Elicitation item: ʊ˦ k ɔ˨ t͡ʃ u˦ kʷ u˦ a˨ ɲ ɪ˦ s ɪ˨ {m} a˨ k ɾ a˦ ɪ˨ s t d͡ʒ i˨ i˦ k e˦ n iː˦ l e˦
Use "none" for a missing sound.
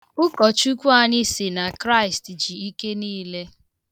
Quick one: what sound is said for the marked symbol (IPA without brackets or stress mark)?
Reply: n